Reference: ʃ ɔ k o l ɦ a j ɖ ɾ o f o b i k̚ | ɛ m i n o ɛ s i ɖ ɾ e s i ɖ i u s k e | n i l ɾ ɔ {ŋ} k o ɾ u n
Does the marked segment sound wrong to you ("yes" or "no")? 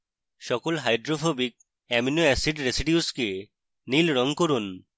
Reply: no